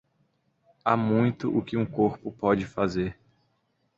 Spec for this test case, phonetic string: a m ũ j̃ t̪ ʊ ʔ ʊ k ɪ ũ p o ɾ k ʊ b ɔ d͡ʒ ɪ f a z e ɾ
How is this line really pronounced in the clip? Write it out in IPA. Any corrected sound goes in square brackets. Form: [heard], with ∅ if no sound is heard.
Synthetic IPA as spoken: a m ũ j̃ t̪ ʊ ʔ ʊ k ɪ ũ [k] o ɾ [p] ʊ [p] ɔ d͡ʒ ɪ f a z e ɾ